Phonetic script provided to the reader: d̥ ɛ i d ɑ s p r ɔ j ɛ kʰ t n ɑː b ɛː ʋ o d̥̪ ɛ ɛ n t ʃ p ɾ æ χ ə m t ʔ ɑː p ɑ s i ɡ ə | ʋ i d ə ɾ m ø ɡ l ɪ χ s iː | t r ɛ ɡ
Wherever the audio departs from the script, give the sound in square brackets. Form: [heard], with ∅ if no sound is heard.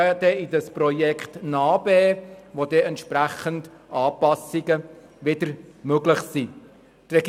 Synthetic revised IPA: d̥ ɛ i d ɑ s p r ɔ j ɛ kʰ t n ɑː b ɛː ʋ o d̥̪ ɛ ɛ n t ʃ p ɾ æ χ ə [n] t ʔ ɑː p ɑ s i ɡ ə | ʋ [ɪ] d ə ɾ m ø ɡ l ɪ χ s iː | t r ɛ ɡ